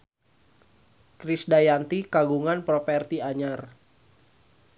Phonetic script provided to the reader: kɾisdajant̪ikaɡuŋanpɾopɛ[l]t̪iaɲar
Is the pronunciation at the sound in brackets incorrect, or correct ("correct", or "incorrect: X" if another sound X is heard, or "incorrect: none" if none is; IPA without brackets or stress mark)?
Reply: incorrect: r